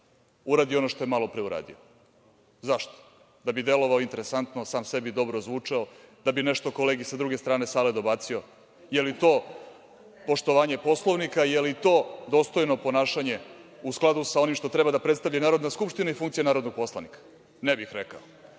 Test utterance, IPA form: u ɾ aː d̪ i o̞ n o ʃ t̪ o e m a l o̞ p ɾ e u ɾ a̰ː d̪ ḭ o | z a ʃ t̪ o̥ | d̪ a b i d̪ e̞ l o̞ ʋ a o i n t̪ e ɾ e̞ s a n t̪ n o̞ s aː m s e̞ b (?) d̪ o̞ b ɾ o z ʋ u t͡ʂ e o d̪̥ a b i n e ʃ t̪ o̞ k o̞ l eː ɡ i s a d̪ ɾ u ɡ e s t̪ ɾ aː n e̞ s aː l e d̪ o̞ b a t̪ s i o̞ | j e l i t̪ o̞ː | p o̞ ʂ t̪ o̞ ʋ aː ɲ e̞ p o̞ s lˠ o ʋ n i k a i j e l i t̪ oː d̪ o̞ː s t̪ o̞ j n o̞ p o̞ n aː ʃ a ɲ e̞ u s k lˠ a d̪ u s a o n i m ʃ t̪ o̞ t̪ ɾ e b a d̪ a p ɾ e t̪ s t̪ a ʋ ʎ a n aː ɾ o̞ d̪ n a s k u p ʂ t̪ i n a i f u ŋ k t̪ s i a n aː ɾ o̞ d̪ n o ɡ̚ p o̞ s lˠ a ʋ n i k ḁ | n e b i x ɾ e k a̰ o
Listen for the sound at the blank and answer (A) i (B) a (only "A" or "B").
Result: A